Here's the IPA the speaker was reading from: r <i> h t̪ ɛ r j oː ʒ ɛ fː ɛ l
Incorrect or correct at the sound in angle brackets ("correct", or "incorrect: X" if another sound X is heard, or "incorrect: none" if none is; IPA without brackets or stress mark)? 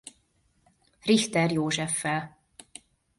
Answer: correct